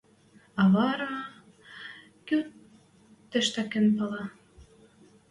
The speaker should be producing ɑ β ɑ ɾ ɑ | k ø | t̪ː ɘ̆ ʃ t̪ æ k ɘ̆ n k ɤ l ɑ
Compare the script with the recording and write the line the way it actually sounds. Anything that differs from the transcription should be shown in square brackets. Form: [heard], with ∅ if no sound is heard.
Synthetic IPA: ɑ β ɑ ɾ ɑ | k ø | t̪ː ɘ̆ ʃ t̪ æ k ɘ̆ n [p] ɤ l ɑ